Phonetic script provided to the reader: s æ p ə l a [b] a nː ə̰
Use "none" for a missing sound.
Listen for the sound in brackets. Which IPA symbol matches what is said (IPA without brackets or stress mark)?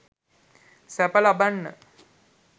b